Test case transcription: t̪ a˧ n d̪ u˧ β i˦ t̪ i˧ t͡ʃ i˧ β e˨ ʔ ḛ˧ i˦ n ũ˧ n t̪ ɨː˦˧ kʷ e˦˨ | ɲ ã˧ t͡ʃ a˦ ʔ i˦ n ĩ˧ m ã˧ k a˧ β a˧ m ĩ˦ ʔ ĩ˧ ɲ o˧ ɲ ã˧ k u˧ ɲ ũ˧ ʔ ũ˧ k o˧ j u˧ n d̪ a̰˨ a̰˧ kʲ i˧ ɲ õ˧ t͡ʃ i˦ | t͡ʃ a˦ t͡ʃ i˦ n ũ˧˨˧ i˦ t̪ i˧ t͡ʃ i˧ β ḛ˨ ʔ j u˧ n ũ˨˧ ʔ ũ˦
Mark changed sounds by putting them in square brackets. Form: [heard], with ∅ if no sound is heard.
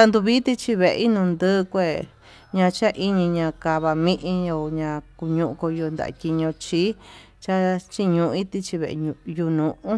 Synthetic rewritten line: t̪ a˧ n d̪ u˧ β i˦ t̪ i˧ t͡ʃ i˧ β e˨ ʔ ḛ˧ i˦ n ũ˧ n [d̪] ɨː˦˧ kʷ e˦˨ | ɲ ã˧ t͡ʃ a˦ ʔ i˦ [ɲ] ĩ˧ [ɲ] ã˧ k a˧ β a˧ m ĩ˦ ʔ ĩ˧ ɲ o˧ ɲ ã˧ k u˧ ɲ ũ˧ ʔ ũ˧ k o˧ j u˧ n d̪ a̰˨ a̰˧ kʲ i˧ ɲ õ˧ t͡ʃ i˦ | t͡ʃ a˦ t͡ʃ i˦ [ɲ] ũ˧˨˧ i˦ t̪ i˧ t͡ʃ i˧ β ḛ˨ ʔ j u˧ n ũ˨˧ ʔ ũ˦